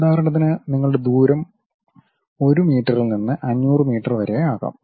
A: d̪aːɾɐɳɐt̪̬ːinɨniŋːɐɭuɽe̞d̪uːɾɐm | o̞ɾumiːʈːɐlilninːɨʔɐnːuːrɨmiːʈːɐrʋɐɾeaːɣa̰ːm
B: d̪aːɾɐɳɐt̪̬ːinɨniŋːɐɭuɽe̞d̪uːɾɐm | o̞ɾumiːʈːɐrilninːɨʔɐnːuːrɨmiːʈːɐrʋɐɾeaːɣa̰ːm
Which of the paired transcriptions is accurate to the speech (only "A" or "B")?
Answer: B